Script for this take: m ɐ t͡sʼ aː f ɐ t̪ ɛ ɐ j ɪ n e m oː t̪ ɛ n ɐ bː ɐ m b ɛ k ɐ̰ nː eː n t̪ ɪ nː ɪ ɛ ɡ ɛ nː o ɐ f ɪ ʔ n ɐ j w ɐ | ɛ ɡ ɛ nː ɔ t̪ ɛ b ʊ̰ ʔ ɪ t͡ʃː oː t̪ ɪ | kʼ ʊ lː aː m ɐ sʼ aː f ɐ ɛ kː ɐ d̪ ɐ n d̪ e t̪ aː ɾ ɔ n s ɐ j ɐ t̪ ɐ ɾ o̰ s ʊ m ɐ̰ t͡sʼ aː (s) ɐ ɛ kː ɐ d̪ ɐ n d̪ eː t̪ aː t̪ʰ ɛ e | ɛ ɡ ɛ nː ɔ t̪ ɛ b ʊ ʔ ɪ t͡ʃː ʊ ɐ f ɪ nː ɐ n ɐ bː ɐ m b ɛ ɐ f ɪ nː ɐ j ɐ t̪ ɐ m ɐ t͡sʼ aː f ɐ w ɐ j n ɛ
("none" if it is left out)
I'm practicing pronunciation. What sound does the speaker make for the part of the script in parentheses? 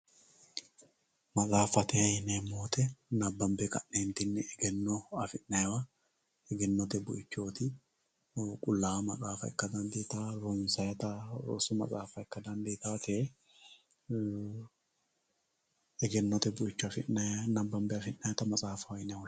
f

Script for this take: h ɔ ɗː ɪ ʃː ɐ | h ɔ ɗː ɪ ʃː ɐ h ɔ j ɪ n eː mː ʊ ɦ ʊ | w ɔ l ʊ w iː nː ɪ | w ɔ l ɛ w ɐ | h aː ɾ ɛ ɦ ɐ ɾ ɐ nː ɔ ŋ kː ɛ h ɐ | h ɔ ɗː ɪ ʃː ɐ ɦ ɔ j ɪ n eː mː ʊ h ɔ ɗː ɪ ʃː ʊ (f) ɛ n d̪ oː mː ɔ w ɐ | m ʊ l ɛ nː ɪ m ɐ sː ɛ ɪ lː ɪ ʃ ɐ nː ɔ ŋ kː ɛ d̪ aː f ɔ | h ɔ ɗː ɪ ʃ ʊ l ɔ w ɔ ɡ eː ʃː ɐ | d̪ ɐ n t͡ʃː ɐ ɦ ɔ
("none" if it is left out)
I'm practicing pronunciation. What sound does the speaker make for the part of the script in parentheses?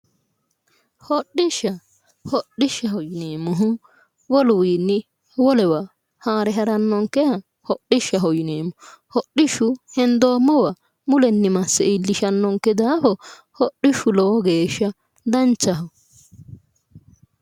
h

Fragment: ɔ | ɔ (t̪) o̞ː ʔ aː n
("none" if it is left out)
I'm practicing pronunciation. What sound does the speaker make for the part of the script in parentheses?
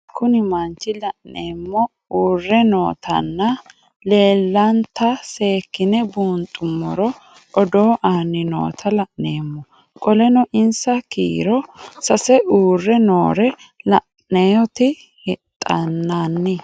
d̪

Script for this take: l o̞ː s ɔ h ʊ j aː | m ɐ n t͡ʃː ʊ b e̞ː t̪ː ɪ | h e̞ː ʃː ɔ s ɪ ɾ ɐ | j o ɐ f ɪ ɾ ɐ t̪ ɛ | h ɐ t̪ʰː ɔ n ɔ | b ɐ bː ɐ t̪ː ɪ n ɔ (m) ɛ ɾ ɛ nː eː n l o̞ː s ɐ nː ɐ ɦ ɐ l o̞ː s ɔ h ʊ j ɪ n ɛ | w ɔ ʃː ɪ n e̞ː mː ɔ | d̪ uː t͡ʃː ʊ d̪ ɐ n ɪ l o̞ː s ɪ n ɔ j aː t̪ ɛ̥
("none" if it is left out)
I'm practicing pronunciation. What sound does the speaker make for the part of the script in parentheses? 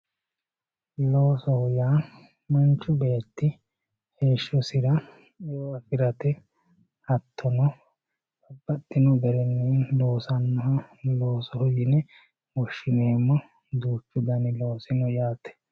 b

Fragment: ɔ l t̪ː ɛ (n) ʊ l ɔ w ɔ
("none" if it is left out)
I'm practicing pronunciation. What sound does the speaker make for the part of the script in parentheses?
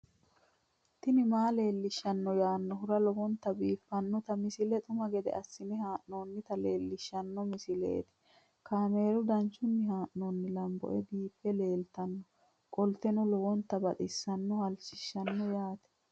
n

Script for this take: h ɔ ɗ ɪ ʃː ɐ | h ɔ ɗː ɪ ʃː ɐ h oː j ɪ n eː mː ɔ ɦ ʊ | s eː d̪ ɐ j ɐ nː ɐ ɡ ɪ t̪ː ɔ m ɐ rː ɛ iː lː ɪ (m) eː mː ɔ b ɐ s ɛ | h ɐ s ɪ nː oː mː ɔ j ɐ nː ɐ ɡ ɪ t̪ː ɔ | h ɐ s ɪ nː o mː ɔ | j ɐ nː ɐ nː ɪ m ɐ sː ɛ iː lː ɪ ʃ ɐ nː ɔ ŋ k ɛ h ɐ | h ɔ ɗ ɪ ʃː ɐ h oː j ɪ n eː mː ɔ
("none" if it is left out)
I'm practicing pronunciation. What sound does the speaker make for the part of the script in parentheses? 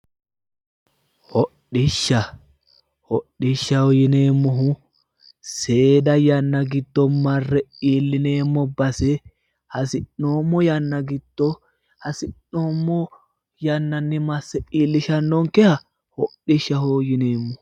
n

